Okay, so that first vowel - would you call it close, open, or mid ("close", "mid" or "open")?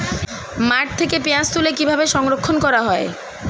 open